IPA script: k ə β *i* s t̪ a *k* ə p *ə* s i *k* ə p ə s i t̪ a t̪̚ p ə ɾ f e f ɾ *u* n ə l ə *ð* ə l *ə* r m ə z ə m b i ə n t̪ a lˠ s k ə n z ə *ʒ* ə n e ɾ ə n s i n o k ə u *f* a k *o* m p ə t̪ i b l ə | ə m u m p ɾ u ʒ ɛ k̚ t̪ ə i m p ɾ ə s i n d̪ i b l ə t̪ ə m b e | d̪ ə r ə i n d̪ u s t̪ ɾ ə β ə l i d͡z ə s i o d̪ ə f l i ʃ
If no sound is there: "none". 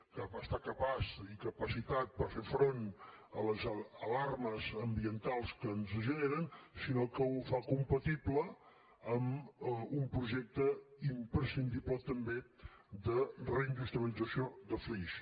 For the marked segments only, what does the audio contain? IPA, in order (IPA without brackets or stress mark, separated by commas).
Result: a, k, a, k, o, z, a, ʒ, f, u